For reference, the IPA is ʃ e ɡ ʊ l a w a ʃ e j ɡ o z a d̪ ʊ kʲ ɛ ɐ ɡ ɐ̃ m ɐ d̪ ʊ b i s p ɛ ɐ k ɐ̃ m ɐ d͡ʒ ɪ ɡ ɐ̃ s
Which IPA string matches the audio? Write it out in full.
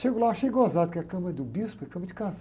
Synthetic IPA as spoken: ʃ e ɡ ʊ l a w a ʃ e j ɡ o z a d̪ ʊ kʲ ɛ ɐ k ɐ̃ m ɐ d̪ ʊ b i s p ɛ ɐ k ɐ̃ m ɐ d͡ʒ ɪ k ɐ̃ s